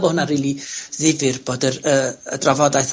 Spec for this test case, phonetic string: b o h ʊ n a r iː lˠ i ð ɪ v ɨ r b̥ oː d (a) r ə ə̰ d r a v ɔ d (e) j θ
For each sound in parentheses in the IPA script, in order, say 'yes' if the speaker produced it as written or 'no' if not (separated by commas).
no, no